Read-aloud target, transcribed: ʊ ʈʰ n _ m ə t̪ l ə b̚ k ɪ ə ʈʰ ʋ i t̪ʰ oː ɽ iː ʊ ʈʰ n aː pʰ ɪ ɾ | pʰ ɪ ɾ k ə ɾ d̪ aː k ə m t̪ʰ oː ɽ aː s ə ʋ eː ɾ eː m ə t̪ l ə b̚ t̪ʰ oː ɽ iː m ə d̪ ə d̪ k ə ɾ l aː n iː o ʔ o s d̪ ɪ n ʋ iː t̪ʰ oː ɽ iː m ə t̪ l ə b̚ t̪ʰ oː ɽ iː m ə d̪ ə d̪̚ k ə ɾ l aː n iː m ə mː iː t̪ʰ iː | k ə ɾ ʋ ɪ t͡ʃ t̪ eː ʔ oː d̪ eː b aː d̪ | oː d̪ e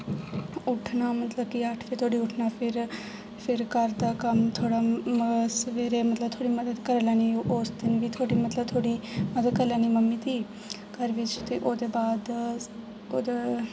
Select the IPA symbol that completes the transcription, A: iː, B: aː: B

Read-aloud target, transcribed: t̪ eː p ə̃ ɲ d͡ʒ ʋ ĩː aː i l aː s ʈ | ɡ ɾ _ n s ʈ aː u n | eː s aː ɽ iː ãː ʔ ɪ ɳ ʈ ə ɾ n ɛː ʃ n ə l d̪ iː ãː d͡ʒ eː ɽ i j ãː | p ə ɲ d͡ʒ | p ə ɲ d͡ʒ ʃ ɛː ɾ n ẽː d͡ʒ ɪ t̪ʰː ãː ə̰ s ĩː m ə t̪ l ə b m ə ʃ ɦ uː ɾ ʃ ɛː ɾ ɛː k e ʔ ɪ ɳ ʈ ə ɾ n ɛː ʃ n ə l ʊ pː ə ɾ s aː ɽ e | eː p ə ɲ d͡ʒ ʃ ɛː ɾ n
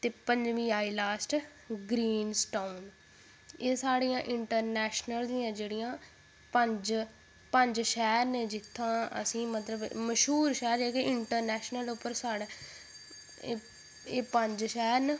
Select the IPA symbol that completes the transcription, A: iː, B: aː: A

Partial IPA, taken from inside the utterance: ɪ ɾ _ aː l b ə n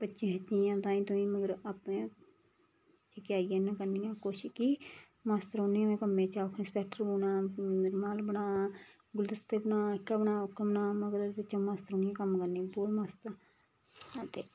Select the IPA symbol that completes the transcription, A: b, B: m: B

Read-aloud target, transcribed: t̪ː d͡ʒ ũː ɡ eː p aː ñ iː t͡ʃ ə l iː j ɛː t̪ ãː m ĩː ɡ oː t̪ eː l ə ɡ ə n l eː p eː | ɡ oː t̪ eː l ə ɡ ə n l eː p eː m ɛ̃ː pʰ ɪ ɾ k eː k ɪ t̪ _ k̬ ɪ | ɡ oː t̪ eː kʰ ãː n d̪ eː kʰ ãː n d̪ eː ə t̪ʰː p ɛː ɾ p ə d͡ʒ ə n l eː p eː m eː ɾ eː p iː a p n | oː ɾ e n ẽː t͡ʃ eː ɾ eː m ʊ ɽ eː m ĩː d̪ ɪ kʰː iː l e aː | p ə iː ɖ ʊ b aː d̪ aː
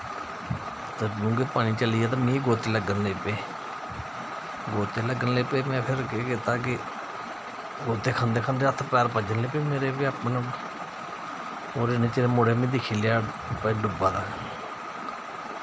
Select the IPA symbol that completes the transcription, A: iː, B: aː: B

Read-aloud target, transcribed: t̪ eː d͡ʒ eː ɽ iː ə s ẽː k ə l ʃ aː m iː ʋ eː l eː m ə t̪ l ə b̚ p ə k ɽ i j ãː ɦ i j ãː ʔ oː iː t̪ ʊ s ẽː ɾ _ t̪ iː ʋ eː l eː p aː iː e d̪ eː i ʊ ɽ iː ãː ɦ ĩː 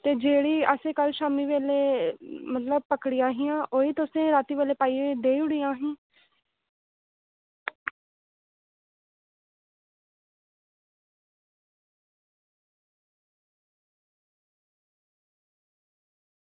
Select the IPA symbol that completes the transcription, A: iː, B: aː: B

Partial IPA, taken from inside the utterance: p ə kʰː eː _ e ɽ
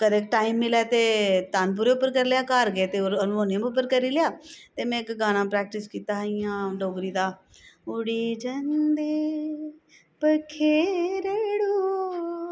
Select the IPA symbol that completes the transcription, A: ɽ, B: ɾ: B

